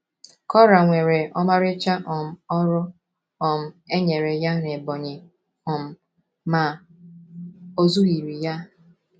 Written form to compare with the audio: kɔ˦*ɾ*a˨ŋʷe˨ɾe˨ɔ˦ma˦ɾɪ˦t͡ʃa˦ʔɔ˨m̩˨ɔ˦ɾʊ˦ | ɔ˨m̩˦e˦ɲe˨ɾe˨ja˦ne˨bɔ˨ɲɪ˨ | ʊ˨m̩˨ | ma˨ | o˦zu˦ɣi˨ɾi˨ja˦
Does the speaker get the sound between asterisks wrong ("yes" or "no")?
no